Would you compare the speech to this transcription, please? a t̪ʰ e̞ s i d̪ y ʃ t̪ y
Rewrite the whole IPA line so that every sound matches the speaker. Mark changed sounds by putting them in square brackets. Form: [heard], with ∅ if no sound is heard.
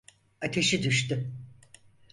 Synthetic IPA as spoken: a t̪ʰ e̞ [ʃ] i d̪ y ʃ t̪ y